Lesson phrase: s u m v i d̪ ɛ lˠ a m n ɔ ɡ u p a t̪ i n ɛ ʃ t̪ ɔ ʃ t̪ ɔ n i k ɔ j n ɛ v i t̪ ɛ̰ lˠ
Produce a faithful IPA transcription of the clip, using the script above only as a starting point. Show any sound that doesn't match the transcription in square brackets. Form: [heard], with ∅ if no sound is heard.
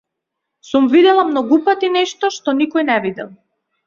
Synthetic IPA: s u m v i d̪ ɛ lˠ a m n ɔ ɡ u p a t̪ i n ɛ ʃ t̪ ɔ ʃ t̪ ɔ n i k ɔ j n ɛ v i [d̪] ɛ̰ lˠ